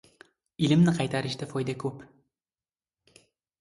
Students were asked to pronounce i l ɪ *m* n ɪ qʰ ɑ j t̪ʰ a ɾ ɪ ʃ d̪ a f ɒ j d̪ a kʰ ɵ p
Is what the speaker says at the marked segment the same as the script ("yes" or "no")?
yes